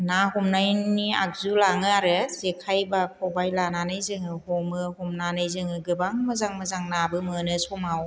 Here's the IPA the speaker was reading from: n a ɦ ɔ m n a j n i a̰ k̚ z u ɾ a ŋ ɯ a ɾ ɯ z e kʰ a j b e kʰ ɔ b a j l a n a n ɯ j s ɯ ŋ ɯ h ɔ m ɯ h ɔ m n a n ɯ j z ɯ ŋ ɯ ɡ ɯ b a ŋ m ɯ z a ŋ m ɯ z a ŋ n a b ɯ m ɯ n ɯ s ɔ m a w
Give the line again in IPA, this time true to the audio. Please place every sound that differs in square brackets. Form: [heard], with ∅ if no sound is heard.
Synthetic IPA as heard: n a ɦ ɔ m n a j n i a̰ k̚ z u [l] a ŋ ɯ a ɾ ɯ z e kʰ a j b [a] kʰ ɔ b a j l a n a n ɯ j [z] ɯ ŋ ɯ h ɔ m ɯ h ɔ m n a n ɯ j z ɯ ŋ ɯ ɡ ɯ b a ŋ m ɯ z a ŋ m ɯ z a ŋ n a b ɯ m ɯ n ɯ s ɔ m a w